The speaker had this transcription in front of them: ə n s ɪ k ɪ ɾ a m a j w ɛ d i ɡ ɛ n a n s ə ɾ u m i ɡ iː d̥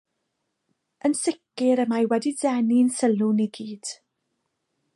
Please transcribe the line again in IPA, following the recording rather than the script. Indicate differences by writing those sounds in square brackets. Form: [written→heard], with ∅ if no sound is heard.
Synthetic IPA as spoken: ə n s ɪ k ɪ ɾ [a→ə] m a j w ɛ d i [ɡ→d] ɛ n [a→i] n s ə [ɾ→l] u [m→n] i ɡ iː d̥